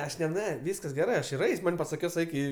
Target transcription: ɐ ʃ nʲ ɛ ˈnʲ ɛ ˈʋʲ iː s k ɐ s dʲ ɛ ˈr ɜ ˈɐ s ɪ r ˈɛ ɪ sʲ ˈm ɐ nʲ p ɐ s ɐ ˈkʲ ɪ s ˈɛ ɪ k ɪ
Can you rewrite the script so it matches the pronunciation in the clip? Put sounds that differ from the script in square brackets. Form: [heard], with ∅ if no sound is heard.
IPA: ɐ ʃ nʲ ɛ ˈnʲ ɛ ˈʋʲ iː s k ɐ s [ɡʲ] ɛ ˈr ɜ ˈɐ [ʃ] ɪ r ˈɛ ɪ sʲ ˈm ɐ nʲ p ɐ s ɐ ˈkʲ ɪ s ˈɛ ɪ k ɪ